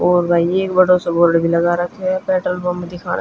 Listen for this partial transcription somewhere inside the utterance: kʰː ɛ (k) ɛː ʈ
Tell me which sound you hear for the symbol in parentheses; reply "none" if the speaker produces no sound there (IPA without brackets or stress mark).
p